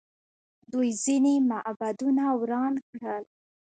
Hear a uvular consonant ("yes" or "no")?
no